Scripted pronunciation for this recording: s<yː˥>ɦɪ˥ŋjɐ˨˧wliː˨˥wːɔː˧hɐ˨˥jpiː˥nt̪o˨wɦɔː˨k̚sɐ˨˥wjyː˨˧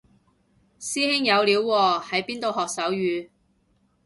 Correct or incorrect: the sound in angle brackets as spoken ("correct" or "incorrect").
incorrect